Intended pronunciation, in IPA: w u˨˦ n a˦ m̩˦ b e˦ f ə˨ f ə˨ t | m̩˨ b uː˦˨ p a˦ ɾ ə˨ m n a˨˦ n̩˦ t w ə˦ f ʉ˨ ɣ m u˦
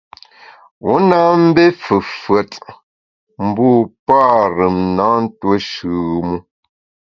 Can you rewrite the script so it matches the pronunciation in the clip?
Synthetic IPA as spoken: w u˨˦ n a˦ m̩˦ b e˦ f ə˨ f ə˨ t | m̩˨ b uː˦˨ p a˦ ɾ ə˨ m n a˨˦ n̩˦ t w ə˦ ʃ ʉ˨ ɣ m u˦